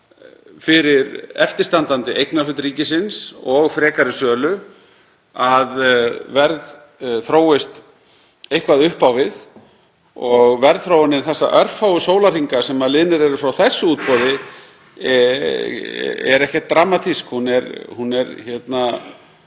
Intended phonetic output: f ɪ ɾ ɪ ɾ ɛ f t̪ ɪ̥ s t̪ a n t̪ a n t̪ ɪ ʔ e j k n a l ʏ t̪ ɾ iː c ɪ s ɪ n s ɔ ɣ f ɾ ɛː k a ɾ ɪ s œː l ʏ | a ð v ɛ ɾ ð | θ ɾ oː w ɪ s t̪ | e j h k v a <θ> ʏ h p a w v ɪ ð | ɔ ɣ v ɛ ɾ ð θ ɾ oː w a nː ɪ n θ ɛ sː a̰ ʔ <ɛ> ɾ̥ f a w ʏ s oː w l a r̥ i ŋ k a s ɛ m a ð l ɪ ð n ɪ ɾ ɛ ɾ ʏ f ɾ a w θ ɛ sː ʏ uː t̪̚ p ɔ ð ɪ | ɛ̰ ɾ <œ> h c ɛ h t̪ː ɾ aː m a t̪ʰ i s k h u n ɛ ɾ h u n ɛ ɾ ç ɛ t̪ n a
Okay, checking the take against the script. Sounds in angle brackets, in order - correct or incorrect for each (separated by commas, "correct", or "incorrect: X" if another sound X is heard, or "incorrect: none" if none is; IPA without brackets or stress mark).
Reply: incorrect: ð, incorrect: œ, incorrect: ɛ